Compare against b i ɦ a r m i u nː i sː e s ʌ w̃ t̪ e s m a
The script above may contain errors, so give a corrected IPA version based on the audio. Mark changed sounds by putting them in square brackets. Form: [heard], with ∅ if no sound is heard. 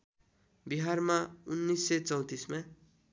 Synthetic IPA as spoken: b i ɦ a r m [a] u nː i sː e [t͡s] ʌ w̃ t̪ [i] s m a